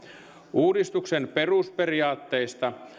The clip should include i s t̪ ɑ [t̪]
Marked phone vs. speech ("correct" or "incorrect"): incorrect